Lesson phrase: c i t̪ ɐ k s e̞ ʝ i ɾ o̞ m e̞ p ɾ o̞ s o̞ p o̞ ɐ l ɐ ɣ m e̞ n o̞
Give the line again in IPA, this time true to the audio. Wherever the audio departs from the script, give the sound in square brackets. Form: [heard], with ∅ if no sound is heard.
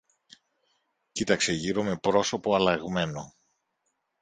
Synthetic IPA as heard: c i t̪ ɐ k s e̞ ʝ i ɾ o̞ m e̞ p ɾ o̞ s o̞ p o̞ ɐ l ɐ ɣ m e̞ n o̞